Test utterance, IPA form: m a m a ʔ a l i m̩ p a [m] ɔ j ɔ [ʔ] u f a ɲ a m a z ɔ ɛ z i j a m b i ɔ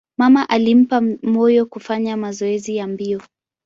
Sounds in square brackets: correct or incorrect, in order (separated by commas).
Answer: correct, incorrect